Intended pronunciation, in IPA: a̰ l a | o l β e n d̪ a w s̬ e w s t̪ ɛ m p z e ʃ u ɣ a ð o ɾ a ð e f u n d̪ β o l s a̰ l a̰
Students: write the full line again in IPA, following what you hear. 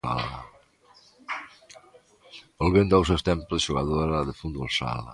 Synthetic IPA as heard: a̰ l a | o l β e n d̪ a w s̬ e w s t̪ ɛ m p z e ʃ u ɣ a ð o ɾ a ð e f u n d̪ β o l s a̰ l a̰

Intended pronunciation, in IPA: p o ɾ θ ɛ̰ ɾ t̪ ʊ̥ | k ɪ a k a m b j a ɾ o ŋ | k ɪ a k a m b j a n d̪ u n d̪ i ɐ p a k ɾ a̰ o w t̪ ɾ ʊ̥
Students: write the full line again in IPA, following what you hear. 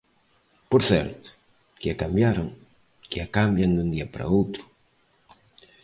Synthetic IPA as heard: p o ɾ θ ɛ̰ ɾ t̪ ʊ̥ | k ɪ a k a m b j a ɾ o ŋ | k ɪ a k a m b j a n d̪ u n d̪ i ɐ p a ɾ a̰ o w t̪ ɾ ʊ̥

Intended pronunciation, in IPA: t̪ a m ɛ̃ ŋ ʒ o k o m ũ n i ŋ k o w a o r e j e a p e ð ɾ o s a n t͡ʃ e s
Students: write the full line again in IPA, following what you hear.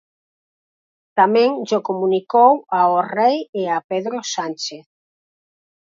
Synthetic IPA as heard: t̪ a m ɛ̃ ŋ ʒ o k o m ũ n i k o w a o r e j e a p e ð ɾ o s a n t͡ʃ e θ

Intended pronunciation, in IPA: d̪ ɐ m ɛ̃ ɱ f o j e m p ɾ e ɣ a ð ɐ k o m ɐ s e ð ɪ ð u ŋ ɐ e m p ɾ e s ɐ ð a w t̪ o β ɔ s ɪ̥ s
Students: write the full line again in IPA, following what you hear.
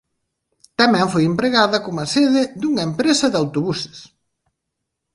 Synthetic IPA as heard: t̪ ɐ m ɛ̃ ɱ f o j e m p ɾ e ɣ a ð ɐ k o m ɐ s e ð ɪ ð u ŋ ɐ e m p ɾ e s ɐ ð a w t̪ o β u s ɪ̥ s

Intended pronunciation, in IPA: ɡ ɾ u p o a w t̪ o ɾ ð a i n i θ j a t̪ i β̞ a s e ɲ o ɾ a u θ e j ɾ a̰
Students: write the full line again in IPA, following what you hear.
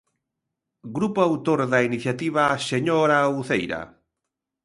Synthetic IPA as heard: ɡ ɾ u p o a w t̪ o ɾ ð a i n i θ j a t̪ i β̞ a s e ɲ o ɾ a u θ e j ɾ a̰

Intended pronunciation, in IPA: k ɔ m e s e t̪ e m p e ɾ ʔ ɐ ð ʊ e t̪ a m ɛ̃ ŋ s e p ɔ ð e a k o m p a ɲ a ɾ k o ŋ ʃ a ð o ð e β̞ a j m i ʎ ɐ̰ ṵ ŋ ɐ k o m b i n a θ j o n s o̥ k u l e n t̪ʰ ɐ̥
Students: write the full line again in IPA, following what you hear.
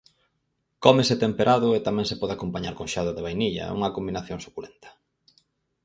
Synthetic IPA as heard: k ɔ m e s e t̪ e m p e ɾ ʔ a ð ʊ e t̪ a m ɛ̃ ŋ s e p ɔ ð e a k o m p a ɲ a ɾ k o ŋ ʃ a ð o ð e β̞ a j n i ʎ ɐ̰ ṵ ŋ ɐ k o m b i n a θ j o ŋ s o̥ k u l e n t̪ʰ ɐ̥

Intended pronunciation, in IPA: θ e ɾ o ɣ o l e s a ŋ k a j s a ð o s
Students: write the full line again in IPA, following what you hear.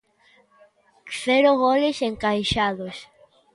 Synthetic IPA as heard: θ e ɾ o ɣ o l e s e ŋ k a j ʃ a ð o s

